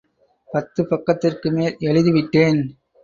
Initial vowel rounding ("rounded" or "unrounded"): unrounded